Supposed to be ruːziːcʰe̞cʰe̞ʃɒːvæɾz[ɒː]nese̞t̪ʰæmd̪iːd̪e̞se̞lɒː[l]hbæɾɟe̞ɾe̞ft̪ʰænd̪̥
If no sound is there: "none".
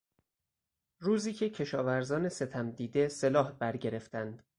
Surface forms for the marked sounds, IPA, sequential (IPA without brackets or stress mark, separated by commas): ɒː, none